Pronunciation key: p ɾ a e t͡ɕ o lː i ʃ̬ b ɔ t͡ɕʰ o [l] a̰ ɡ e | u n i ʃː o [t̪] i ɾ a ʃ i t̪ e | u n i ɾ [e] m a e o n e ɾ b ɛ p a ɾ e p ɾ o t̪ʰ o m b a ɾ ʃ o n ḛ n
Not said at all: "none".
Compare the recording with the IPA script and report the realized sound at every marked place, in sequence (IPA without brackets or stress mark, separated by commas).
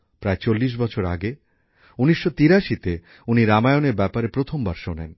ɾ, t̪, a